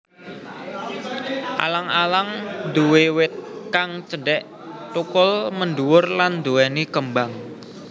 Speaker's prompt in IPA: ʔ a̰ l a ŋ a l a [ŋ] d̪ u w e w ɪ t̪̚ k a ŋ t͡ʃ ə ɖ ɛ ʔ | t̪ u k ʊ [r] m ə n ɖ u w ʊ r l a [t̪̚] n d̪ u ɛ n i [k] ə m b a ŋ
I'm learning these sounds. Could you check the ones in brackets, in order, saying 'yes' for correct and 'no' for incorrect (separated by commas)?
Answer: yes, no, no, yes